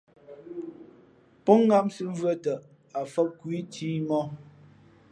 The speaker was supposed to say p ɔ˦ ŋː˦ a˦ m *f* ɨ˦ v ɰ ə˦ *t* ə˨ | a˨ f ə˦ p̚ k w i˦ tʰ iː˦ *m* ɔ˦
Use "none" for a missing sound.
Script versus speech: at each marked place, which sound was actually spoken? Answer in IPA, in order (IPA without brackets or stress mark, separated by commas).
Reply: s, t, m